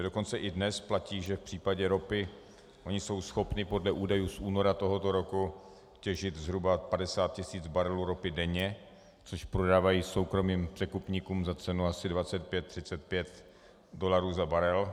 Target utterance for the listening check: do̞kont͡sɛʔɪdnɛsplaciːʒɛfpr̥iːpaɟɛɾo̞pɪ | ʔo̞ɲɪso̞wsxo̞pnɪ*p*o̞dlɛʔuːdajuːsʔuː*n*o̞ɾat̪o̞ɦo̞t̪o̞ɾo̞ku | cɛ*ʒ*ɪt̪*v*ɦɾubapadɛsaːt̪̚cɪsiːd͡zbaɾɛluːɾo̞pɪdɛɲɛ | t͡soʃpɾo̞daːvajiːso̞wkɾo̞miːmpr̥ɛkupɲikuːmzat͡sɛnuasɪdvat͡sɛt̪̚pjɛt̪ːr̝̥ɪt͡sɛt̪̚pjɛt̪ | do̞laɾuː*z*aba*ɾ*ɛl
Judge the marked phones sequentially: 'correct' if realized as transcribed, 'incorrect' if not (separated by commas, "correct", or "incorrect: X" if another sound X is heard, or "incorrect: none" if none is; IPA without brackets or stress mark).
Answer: correct, correct, correct, incorrect: z, correct, correct